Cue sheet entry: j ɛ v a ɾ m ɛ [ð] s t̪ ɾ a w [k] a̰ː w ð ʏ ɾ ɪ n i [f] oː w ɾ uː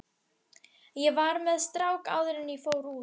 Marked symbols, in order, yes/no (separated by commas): yes, yes, yes